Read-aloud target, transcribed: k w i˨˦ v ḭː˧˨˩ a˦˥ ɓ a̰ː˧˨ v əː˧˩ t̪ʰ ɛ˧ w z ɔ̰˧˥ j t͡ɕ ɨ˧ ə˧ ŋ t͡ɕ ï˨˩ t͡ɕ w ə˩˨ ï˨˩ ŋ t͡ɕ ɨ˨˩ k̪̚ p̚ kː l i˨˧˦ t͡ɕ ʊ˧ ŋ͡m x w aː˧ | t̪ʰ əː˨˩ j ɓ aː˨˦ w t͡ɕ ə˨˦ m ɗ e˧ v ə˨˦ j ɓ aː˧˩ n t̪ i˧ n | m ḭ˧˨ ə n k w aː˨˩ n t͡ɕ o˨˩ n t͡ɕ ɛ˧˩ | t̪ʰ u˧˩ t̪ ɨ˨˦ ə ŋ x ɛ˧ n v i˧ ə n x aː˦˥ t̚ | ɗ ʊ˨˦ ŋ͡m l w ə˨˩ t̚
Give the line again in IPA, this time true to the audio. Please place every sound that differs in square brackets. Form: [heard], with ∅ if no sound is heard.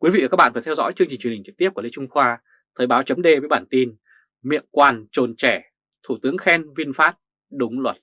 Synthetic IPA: k w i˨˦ v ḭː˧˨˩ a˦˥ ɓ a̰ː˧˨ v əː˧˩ t̪ʰ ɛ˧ w z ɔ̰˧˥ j t͡ɕ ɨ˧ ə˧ ŋ t͡ɕ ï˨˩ t͡ɕ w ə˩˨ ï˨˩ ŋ t͡ɕ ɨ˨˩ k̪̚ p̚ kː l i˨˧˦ t͡ɕ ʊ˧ ŋ͡m x w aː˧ | t̪ʰ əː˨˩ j ɓ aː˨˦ w t͡ɕ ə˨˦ m ɗ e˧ v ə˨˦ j ɓ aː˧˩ n t̪ i˧ n | m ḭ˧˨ ə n k w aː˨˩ n t͡ɕ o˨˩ n t͡ɕ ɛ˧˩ | t̪ʰ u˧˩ t̪ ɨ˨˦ ə ŋ x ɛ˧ n v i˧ ə n [f] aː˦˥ t̚ | ɗ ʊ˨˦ ŋ͡m l w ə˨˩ t̚